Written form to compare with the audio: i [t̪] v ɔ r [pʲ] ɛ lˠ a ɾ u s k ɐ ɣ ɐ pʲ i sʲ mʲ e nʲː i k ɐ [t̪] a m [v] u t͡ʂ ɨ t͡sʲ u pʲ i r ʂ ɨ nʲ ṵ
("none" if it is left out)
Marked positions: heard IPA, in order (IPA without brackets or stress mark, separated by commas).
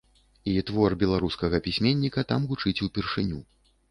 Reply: t̪, bʲ, t̪, ɣ